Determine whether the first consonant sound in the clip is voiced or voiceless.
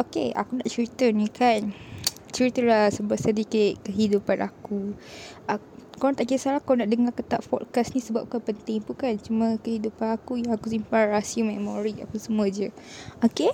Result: voiceless